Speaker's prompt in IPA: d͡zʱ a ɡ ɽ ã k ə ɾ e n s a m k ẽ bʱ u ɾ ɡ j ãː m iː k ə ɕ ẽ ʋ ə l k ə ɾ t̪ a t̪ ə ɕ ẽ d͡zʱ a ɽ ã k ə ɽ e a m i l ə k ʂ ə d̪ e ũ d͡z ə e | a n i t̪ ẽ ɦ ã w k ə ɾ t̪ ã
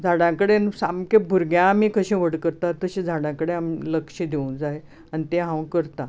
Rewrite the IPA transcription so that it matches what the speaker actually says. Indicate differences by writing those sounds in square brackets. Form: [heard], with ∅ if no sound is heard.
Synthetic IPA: d͡zʱ a [∅] ɽ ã k ə [ɽ] e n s a m k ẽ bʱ u ɾ ɡ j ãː m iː k ə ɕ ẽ ʋ ə [ɽ] k ə ɾ t̪ a t̪ ə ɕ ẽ d͡zʱ a ɽ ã k ə ɽ e a m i l ə k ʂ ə d̪ e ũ d͡z [a] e | a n i t̪ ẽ ɦ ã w k ə ɾ t̪ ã